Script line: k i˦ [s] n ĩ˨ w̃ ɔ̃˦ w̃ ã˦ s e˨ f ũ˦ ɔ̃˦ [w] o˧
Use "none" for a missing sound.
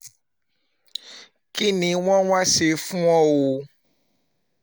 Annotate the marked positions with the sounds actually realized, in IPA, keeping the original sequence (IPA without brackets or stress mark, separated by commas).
none, w